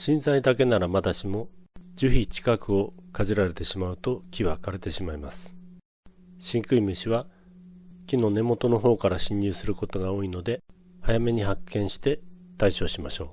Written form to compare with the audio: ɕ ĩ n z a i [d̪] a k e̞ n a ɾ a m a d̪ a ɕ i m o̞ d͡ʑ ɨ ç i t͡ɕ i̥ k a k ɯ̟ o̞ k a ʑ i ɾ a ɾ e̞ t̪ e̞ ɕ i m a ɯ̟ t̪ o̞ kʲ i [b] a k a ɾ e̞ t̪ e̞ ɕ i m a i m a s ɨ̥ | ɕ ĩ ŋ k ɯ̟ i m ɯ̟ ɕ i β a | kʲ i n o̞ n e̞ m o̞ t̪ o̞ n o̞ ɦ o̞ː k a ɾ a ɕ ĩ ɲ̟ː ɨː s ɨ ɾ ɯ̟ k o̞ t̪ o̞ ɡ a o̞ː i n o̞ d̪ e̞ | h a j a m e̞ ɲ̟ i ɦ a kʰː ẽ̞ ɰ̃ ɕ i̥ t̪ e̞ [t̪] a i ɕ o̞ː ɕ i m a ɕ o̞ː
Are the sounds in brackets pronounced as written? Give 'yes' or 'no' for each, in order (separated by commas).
yes, no, yes